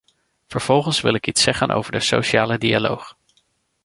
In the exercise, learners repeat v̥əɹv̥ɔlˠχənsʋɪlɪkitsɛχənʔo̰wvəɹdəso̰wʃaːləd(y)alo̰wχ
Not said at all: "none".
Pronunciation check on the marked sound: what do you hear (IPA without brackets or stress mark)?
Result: i